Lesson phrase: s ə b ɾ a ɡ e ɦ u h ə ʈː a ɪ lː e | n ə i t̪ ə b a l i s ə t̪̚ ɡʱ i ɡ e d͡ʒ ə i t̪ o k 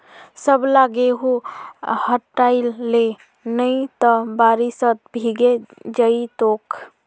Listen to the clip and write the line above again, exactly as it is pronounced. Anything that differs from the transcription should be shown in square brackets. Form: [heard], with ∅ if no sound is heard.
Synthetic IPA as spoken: s ə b [l] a ɡ e ɦ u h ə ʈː a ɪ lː e | n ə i t̪ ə b a [ɾ] i s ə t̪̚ [bʱ] i ɡ e d͡ʒ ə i t̪ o k